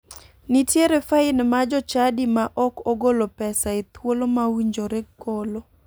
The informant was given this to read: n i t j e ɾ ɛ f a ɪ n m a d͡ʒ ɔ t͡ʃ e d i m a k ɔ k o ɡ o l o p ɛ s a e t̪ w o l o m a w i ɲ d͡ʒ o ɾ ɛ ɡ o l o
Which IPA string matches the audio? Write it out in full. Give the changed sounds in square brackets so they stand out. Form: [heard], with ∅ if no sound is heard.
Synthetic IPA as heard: n i t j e ɾ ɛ f a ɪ n m a d͡ʒ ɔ t͡ʃ [a] d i m a [ʔ] ɔ k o ɡ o l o p ɛ s a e t̪ w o l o m a w i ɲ d͡ʒ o ɾ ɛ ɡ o l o